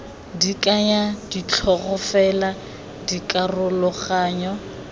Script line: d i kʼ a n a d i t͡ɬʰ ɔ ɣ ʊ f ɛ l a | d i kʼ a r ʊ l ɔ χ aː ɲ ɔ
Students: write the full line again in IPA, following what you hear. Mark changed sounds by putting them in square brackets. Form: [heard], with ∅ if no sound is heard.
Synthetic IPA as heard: d i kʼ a [ɲ] a d i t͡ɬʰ ɔ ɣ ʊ f ɛ l a | d i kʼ a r ʊ l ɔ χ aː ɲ ɔ